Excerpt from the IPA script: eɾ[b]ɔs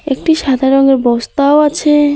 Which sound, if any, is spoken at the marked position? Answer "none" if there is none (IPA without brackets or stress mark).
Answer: b